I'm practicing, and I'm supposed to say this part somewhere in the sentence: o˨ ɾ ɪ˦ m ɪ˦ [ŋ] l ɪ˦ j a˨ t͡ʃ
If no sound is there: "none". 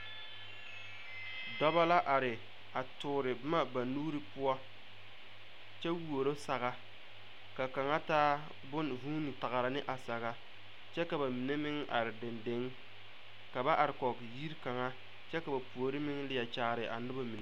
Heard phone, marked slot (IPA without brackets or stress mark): ŋ